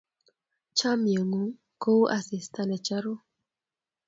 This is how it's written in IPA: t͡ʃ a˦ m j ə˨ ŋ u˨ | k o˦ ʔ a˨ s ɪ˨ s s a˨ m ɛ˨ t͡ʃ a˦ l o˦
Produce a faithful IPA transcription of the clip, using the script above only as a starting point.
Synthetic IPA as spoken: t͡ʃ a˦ m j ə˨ ŋ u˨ | k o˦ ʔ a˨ s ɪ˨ s t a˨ n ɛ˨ t͡ʃ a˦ ɾ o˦